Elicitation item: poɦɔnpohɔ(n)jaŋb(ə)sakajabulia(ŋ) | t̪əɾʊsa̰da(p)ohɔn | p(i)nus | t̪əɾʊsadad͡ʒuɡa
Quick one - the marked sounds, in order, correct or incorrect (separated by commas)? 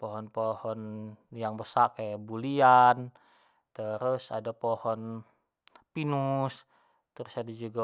correct, correct, incorrect, correct, correct